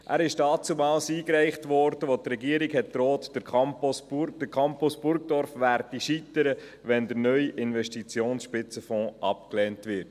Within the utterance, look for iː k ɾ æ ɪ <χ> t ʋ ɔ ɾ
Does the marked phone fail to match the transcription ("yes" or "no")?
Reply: no